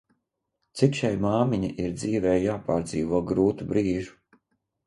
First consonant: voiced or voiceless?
voiceless